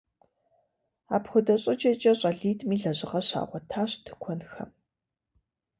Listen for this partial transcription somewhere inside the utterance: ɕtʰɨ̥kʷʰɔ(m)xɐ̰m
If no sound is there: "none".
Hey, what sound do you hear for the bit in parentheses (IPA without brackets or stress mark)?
n